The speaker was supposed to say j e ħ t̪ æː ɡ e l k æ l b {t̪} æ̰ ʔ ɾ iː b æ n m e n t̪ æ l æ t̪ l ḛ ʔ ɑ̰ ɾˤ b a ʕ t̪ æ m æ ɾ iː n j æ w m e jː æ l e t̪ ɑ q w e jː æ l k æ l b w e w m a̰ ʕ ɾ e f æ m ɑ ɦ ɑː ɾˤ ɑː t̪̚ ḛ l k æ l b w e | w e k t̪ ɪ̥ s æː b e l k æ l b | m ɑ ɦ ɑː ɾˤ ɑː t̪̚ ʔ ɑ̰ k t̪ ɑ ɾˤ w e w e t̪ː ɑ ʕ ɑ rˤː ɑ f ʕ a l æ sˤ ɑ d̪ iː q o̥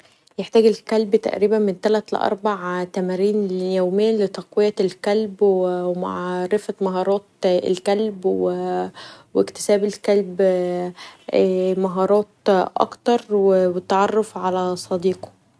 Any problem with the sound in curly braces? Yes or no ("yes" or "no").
no